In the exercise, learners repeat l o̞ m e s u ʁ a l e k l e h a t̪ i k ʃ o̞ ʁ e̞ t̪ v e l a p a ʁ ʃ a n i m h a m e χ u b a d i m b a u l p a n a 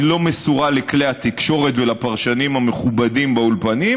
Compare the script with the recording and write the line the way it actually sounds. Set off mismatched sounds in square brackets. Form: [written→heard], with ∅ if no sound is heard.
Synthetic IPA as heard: l o̞ m e s u ʁ a l e k l e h a t̪ i k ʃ o̞ ʁ e̞ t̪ v e l a p a ʁ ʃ a n i m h a m e χ u b a d i m b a u l p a n [a→i]